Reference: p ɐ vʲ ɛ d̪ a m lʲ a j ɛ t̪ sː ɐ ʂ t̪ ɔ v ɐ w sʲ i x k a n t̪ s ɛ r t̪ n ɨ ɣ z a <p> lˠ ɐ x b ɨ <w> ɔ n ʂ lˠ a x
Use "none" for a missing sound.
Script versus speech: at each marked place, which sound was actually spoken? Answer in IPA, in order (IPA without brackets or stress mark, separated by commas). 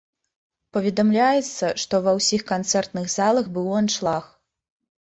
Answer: none, w